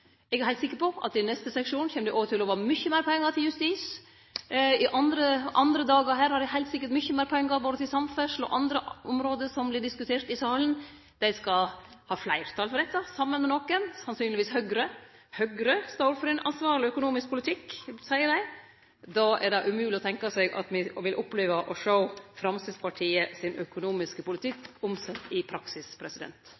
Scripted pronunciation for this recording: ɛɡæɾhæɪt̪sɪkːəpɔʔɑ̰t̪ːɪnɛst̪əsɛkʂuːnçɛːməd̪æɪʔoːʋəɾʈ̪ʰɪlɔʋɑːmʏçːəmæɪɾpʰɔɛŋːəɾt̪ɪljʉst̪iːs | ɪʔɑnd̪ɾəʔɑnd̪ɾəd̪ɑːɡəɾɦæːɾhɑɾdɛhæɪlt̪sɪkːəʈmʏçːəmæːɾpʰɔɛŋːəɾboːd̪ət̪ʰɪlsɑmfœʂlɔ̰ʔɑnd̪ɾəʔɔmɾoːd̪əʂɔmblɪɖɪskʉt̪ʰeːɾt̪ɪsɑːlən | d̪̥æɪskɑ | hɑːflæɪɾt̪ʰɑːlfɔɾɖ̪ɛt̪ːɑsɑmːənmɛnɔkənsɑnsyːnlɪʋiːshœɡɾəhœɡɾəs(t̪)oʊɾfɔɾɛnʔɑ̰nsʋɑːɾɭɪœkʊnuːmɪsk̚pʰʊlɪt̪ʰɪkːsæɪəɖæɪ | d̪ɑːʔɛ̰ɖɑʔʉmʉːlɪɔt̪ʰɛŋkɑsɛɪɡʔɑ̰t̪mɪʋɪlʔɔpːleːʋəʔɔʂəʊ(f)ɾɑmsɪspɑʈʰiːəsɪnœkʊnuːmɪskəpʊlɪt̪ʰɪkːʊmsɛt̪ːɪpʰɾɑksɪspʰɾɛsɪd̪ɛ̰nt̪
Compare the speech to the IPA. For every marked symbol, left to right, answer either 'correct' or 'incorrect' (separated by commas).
correct, correct